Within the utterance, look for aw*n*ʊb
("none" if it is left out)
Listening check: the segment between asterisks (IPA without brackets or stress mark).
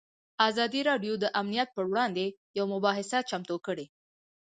m